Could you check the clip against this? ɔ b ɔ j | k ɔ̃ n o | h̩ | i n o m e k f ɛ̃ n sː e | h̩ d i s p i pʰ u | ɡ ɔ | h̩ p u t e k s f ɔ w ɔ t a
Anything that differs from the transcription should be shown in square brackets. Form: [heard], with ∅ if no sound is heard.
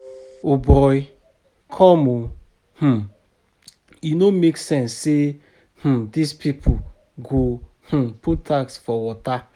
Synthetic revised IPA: [o] b ɔ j | [kʰ] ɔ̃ [m] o | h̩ | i n o m e k [s] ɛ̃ n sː e | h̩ d i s p i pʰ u | ɡ [o] | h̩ p u t [a] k s f ɔ w ɔ t a

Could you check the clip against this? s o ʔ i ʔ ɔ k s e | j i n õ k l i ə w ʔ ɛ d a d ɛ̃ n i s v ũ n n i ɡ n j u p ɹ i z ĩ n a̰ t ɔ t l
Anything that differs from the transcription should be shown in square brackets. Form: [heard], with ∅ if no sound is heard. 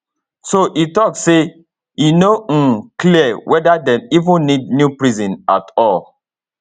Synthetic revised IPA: s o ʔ i [t] ɔ k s e | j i n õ k l i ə w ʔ ɛ d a d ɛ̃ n i [∅] v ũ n n i [d] n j u p ɹ i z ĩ n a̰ t ɔ [∅] l

